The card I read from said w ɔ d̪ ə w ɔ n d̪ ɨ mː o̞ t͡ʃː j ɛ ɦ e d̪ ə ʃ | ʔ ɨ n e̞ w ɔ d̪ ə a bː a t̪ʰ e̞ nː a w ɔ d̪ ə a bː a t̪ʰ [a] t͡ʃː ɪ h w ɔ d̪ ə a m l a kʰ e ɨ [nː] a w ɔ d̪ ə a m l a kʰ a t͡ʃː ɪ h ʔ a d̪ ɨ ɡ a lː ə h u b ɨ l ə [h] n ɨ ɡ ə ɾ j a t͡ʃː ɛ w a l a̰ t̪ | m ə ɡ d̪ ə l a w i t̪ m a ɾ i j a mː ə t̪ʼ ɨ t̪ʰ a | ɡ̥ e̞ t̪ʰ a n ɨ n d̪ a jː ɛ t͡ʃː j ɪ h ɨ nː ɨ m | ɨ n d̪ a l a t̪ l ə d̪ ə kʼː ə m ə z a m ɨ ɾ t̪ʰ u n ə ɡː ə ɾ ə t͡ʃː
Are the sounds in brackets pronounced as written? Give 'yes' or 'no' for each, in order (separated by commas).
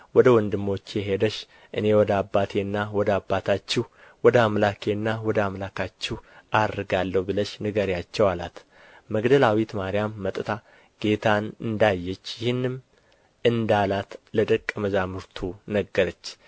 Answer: yes, yes, no